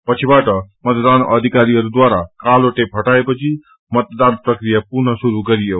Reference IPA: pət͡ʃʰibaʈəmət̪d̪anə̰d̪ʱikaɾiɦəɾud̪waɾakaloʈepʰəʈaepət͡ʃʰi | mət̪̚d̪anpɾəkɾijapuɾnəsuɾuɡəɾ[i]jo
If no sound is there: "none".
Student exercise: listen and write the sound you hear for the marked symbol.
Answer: i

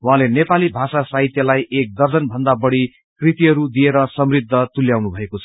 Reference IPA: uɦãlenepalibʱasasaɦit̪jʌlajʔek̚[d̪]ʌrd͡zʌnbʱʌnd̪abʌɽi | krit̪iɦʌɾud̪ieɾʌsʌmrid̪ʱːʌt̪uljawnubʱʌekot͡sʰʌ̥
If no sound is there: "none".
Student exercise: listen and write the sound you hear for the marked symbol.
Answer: d̪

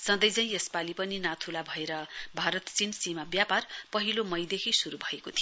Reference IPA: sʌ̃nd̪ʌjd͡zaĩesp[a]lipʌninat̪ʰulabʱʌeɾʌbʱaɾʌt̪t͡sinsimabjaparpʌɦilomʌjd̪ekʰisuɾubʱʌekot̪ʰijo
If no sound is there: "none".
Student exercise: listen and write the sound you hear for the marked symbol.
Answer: a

